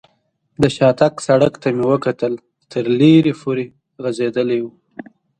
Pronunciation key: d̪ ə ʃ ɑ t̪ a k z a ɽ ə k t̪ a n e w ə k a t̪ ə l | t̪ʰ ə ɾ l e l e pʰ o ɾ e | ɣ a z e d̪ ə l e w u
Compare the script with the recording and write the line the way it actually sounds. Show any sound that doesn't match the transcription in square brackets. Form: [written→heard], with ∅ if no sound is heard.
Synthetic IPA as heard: d̪ ə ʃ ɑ t̪ a k [z→s] a ɽ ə k t̪ a [n→m] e w ə k a t̪ ə l | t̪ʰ ə ɾ l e [l→ɾ] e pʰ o ɾ e | ɣ a z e d̪ ə l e w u